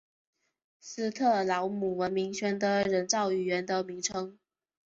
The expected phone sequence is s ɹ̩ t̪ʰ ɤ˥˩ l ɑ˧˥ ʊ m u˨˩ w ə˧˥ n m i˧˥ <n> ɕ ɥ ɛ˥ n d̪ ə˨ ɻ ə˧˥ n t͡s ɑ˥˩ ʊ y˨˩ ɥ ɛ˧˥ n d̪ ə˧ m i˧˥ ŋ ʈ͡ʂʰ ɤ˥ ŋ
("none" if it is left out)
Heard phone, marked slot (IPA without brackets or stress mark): ŋ